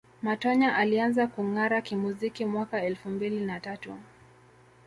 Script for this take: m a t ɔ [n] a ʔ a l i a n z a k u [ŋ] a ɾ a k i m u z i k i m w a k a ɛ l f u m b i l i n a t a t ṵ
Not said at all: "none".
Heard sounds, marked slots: ɲ, ŋ

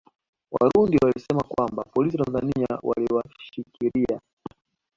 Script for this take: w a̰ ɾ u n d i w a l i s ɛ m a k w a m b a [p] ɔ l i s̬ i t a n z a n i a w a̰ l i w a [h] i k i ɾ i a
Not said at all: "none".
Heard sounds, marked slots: p, ʃ

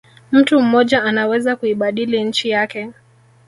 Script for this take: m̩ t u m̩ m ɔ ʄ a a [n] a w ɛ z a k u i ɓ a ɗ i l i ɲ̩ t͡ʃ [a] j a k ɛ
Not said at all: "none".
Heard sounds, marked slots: n, i

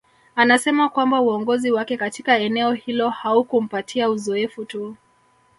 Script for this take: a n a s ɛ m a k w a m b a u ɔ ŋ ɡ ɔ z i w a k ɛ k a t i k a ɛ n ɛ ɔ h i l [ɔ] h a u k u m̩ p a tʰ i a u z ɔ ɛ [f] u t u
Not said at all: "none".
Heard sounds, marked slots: ɔ, f

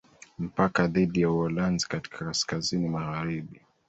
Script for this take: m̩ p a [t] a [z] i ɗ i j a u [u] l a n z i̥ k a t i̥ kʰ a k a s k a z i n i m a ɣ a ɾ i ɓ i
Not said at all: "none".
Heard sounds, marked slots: k, ð, ɔ

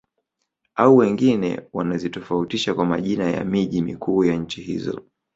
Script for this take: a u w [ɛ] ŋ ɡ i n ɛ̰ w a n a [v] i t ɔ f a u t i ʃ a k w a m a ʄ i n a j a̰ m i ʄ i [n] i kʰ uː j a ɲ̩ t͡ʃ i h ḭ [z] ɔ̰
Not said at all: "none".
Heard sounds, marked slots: ɛ, z, m, z

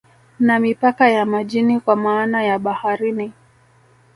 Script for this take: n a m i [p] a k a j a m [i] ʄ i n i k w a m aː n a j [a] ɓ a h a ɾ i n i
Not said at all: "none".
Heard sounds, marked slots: p, a, a

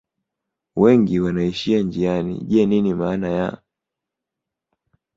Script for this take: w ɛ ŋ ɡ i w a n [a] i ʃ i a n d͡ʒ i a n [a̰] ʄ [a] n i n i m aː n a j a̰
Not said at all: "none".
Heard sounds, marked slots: a, ḭ, ɛ

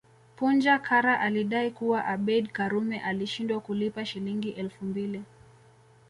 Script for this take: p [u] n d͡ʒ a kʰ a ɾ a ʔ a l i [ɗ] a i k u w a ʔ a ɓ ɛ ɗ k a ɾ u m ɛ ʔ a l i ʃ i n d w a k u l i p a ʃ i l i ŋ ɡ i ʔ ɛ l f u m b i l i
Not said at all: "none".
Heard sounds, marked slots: u, ɗ

